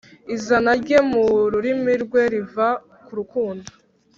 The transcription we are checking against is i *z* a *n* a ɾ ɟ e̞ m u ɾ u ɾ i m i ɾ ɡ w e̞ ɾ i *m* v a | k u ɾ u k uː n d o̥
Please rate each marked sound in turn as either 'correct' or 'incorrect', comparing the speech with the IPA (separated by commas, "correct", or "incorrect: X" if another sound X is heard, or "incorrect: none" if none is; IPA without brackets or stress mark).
correct, correct, incorrect: none